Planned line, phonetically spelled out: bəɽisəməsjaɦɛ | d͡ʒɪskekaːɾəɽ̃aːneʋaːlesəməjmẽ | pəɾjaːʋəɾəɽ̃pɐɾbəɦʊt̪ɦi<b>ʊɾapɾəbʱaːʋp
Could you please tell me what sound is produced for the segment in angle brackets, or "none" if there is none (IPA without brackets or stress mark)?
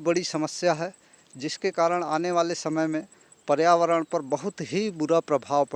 b